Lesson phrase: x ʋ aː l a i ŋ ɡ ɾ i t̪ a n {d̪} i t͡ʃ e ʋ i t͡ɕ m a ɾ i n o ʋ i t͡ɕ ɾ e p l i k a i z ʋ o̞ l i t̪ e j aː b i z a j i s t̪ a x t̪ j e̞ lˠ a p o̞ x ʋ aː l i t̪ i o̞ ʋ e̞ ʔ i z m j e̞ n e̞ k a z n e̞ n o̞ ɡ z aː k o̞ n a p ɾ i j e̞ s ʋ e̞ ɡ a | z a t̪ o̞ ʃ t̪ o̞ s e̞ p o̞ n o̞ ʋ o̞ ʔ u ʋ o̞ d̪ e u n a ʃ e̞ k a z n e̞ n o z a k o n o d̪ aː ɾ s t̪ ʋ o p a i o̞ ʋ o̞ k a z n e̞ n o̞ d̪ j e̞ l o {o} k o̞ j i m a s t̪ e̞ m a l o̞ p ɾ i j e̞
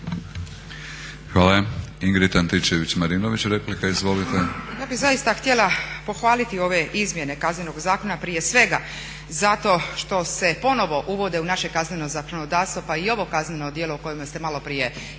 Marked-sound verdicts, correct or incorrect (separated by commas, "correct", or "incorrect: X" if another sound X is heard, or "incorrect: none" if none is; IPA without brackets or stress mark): incorrect: t̪, incorrect: u